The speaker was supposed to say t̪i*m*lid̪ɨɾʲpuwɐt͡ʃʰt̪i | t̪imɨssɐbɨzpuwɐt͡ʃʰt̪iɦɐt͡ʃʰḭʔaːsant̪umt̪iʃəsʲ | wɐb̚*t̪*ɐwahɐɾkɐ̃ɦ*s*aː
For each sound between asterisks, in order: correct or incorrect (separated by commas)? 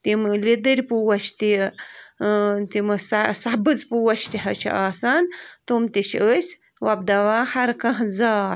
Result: correct, incorrect, incorrect